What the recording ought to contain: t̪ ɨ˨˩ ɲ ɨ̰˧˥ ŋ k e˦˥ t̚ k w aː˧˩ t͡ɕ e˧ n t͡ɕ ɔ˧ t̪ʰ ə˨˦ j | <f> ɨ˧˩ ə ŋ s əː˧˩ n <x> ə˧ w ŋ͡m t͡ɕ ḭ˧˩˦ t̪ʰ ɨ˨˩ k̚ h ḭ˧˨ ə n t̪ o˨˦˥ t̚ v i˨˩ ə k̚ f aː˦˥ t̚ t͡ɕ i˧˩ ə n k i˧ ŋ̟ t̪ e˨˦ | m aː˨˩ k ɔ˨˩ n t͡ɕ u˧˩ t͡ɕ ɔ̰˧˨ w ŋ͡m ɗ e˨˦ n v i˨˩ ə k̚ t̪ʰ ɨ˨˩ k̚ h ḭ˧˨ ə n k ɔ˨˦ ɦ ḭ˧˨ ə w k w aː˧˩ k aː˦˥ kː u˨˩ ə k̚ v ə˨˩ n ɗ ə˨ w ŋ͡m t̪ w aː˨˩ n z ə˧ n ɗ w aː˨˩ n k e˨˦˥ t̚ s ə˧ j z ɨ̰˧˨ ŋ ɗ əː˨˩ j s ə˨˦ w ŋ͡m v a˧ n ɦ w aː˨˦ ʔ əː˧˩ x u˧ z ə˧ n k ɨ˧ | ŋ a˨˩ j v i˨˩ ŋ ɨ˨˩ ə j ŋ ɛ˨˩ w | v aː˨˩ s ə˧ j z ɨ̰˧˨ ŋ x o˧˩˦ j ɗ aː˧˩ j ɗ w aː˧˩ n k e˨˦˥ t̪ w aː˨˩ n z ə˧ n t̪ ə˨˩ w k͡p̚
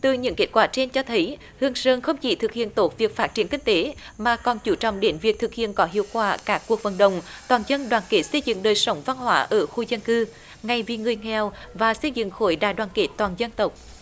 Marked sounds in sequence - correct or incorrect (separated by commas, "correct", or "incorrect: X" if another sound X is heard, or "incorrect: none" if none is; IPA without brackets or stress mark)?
incorrect: h, correct